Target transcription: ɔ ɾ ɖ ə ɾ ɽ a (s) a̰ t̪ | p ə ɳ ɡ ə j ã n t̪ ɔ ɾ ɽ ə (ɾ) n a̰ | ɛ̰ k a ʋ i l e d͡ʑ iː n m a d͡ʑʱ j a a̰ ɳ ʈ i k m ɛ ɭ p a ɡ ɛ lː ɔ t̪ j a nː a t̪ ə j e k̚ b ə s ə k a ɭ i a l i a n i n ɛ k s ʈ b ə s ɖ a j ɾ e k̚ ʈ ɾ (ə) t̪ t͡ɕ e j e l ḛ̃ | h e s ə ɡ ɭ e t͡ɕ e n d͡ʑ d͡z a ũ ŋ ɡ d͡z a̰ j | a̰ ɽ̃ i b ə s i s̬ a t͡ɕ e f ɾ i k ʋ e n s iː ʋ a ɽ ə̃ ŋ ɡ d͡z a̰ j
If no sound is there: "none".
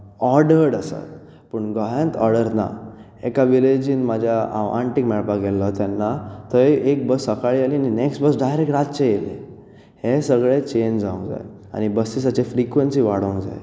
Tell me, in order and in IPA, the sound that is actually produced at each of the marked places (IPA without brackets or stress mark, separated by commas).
s, ɾ, a